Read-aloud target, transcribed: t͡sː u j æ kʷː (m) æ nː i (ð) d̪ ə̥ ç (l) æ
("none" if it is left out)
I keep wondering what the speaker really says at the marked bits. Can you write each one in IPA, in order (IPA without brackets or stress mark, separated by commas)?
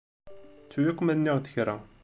m, ʁ, ɾ